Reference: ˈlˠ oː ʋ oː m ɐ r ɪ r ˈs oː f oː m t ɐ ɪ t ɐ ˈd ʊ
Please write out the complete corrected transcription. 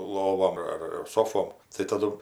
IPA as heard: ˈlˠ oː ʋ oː m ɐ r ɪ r ˈs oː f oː m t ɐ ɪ t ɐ ˈd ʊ